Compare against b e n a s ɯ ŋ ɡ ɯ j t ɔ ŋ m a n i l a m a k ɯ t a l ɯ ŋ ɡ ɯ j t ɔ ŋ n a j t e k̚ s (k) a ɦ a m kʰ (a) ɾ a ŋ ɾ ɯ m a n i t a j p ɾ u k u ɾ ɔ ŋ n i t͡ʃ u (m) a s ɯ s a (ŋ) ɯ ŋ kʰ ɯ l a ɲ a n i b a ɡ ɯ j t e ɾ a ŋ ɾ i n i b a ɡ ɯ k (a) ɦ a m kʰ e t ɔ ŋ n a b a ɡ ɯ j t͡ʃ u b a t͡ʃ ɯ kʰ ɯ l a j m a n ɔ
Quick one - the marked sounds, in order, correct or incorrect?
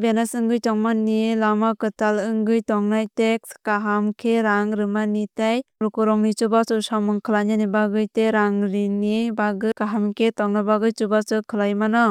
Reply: correct, incorrect: e, incorrect: b, incorrect: m, correct

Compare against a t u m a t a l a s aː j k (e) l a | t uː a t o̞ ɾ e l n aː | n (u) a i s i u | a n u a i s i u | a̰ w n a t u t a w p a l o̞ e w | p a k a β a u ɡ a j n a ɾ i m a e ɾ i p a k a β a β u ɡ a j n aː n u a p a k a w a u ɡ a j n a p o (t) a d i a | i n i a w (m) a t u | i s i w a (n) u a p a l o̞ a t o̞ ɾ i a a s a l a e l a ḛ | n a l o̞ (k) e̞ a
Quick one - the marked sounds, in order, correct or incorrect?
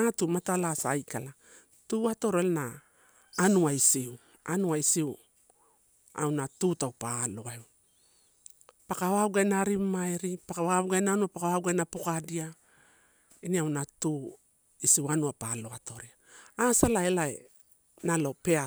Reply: incorrect: a, correct, incorrect: k, incorrect: n, correct, incorrect: p

